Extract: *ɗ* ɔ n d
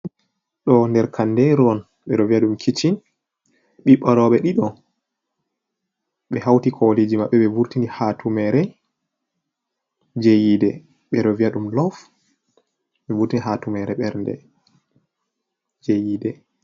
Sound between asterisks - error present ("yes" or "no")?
no